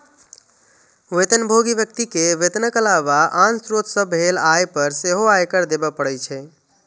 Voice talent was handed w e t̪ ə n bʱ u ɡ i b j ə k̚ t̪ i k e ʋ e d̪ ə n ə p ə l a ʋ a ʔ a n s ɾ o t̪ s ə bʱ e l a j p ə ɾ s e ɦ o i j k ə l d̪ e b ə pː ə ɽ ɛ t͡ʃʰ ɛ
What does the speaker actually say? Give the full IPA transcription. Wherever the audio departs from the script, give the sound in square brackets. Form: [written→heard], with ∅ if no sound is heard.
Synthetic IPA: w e t̪ ə n bʱ [u→o] ɡ i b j ə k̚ t̪ i k e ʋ e [d̪→t̪] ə n ə [p→k] ə l a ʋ a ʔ a n s ɾ o t̪ s ə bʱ e l a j p ə ɾ s e ɦ o [i→a] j k ə [l→ɾ] d̪ e b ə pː ə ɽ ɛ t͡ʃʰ ɛ